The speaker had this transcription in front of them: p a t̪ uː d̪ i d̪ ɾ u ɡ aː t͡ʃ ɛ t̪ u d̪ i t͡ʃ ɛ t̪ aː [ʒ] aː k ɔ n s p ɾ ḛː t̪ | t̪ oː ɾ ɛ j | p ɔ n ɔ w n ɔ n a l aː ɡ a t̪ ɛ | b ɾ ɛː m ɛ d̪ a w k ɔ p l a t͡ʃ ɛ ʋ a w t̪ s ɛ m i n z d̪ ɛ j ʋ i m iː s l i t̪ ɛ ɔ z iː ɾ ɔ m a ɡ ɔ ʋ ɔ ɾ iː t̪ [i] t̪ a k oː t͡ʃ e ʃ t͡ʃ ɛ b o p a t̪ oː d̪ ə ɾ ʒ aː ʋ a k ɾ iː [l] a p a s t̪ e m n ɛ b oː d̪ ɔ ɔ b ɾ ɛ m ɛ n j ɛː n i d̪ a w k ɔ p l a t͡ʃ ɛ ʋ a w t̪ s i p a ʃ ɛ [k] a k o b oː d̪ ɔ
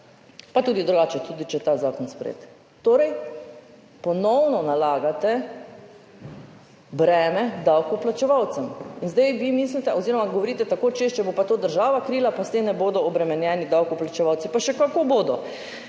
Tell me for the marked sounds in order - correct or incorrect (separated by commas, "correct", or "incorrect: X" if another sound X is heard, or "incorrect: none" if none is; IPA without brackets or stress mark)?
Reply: incorrect: z, incorrect: ɛ, correct, correct